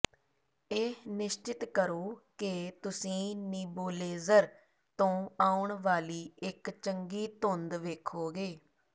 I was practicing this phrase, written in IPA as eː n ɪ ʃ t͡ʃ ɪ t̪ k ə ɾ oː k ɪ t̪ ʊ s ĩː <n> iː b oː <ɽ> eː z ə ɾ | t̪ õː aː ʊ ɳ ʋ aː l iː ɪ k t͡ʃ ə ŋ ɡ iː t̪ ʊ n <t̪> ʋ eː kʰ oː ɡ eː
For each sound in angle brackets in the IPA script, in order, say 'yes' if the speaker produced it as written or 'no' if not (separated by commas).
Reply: yes, no, no